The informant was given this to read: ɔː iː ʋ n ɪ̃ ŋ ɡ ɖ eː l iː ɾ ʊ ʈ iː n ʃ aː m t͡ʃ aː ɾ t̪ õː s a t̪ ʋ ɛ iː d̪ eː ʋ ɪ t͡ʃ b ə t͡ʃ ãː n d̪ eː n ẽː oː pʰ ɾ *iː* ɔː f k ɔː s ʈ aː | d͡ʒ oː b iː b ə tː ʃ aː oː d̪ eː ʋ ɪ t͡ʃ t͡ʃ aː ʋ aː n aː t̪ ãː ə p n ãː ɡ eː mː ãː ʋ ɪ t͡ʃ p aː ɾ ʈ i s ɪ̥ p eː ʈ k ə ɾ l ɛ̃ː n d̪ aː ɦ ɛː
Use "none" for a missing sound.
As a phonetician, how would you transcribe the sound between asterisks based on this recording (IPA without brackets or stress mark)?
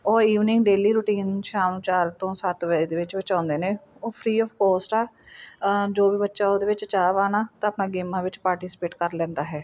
iː